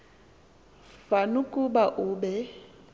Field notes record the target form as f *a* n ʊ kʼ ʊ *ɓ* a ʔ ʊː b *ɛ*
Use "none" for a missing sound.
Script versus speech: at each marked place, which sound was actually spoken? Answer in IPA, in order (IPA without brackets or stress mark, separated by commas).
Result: a, b, ɛ